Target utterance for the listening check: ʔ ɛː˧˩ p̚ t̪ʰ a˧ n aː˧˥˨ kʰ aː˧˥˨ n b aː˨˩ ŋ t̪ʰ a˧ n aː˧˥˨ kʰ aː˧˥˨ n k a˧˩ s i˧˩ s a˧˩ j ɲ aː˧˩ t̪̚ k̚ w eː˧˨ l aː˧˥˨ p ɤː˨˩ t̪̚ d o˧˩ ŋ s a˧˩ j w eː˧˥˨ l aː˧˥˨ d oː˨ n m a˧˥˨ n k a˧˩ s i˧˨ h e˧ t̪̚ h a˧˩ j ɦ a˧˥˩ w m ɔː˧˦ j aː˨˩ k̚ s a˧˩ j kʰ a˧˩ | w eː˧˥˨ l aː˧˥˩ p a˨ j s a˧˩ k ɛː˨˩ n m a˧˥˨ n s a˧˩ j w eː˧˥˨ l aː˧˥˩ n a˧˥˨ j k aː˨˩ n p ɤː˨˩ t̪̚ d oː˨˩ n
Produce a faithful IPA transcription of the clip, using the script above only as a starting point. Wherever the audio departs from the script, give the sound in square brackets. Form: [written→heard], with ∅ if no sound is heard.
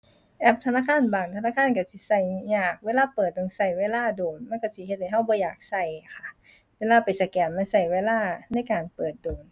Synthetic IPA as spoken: ʔ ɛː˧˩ p̚ t̪ʰ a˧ n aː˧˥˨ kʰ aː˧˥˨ n b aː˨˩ ŋ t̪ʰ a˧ n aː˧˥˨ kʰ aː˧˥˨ n k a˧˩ s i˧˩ s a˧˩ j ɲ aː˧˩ [t̪̚→∅] k̚ w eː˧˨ l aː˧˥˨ p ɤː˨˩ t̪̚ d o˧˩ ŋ s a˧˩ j w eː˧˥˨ l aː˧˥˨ d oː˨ n m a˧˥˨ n k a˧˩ s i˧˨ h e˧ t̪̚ h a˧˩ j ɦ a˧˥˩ w [m→b] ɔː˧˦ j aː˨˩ k̚ s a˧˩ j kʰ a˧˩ | w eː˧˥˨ l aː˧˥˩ p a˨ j s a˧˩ k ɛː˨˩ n m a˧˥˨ n s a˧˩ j w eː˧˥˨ l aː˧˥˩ n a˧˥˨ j k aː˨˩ n p ɤː˨˩ t̪̚ d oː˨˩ n